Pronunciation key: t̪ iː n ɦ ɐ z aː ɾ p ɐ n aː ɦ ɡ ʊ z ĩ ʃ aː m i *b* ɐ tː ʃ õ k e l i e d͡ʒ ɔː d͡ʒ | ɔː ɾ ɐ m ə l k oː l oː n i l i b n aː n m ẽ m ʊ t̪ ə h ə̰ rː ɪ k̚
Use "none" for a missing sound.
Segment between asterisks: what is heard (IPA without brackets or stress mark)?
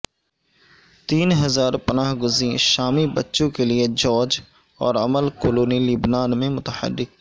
b